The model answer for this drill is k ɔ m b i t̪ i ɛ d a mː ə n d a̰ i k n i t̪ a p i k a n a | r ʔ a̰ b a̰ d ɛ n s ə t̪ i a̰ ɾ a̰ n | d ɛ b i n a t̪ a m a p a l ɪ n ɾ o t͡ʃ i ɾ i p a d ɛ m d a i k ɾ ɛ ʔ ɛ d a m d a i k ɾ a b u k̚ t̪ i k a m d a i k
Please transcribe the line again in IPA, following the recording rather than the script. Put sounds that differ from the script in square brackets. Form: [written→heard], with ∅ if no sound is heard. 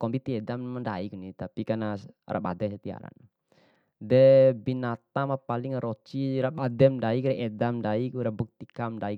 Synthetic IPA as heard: k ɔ m b i t̪ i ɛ d a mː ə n d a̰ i k n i t̪ a p i k a n a | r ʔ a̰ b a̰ d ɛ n s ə t̪ i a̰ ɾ a̰ n | d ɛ b i n a t̪ a m a p a l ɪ [n→ŋ] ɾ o t͡ʃ i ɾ [i→a] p a d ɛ m d a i k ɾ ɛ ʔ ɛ d a m d a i k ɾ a b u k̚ t̪ i k a m d a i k